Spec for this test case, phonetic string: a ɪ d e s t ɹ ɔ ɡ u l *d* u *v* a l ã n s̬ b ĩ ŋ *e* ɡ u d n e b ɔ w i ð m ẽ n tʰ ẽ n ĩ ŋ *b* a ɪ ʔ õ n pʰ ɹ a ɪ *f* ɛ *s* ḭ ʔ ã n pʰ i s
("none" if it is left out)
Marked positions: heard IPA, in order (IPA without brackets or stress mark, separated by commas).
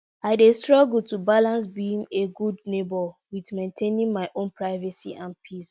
t, b, e, m, v, s